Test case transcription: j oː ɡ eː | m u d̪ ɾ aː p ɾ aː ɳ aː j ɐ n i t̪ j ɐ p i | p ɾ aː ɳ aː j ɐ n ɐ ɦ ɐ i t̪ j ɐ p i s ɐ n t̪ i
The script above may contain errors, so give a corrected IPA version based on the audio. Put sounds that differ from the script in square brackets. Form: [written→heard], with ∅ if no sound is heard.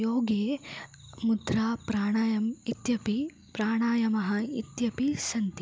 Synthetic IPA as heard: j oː ɡ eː | m u d̪ ɾ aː p ɾ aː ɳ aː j ɐ [n→m] i t̪ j ɐ p i | p ɾ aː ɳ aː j ɐ [n→m] ɐ ɦ ɐ i t̪ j ɐ p i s ɐ n t̪ i